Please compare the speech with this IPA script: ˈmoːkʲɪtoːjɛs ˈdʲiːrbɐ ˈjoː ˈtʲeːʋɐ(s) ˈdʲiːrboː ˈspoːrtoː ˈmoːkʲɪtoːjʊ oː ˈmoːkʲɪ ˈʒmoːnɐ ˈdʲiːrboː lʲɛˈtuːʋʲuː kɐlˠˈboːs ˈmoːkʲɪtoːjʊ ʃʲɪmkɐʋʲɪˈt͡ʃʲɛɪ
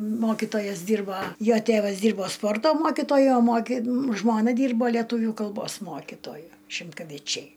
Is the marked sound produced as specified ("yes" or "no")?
yes